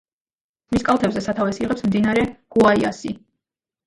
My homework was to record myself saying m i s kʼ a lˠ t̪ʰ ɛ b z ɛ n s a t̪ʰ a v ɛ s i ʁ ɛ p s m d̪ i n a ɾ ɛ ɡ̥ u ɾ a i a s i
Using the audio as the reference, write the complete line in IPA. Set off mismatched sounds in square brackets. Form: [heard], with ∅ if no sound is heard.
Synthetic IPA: m i s kʼ a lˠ t̪ʰ ɛ b z ɛ [∅] s a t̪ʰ a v ɛ s i ʁ ɛ p s m d̪ i n a ɾ ɛ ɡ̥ u [∅] a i a s i